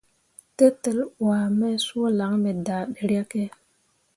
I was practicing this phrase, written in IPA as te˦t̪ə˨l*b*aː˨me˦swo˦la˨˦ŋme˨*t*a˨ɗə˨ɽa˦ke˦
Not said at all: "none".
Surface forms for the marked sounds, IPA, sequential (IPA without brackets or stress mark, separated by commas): w, d